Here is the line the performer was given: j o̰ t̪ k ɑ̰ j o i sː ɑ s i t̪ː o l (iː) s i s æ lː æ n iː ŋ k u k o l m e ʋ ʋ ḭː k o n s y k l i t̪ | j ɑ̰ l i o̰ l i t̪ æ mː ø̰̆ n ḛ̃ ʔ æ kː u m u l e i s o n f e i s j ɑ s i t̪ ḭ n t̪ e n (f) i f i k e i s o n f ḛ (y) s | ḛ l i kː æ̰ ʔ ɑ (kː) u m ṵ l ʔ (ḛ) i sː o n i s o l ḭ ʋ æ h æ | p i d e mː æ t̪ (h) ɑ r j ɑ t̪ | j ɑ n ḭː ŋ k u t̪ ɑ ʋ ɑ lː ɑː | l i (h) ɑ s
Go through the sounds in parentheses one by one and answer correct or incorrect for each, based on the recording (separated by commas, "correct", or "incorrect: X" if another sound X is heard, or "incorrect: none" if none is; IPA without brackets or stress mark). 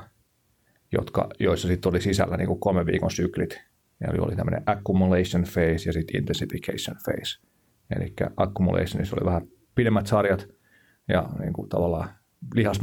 incorrect: i, incorrect: s, incorrect: i, correct, correct, incorrect: s, correct